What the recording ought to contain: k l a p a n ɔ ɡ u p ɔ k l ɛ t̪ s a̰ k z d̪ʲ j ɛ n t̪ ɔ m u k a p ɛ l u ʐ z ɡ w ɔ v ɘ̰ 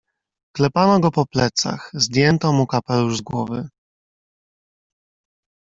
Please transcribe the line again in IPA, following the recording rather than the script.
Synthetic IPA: k l ɛ p a n ɔ ɡ ɔ p ɔ p l ɛ t̪ s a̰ x z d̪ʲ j ɛ n t̪ ɔ m u k a p ɛ l u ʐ z ɡ w ɔ v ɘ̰